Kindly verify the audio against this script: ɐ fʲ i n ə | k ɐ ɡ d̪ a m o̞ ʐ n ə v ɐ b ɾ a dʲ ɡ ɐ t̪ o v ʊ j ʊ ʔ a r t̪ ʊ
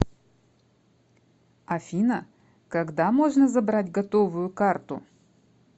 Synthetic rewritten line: ɐ fʲ i n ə | k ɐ ɡ d̪ a m o̞ ʐ n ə z ɐ b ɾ a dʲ ɡ ɐ t̪ o v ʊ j ʊ k a r t̪ ʊ